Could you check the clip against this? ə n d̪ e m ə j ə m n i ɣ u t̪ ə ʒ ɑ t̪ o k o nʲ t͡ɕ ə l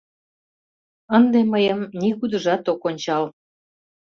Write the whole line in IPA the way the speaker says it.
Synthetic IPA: ə n d̪ e m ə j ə m n i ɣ u d̪ ə ʒ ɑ t̪ o k o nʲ t͡ɕ ɑ l